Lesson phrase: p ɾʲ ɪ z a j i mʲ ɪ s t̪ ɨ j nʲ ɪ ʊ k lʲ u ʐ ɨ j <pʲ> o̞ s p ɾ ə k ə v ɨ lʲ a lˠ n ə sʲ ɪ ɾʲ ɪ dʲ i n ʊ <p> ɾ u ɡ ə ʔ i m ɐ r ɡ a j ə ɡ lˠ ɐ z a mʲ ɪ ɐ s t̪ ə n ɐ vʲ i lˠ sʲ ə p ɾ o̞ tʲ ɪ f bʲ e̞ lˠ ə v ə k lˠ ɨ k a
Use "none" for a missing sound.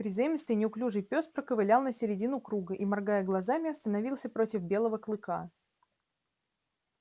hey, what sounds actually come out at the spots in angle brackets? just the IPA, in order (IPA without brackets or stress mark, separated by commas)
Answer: pʲ, k